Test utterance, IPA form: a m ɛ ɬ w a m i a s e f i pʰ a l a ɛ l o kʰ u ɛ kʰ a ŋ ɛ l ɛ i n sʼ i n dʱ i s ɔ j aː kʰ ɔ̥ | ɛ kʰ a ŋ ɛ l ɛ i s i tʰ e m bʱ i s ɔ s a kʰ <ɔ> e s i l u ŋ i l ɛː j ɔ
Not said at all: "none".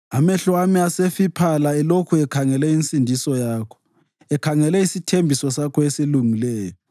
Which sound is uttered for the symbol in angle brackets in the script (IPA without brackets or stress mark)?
ɔ